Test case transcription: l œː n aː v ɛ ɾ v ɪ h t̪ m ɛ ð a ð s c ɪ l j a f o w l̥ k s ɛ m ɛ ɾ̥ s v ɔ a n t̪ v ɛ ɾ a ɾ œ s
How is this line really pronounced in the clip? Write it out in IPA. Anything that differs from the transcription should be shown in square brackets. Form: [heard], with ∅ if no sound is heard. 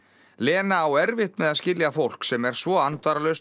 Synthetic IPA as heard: l [ɛː] n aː [w] ɛ ɾ v ɪ h t̪ m ɛ ð a ð s c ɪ l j a f o w l̥ k s ɛ m ɛ ɾ̥ s v ɔ a n t̪ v [a] ɾ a [l] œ s